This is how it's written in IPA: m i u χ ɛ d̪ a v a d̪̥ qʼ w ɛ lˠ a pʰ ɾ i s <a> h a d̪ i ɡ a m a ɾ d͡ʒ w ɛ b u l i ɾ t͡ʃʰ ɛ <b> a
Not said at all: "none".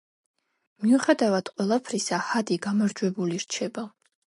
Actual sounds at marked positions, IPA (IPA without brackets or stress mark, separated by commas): a, b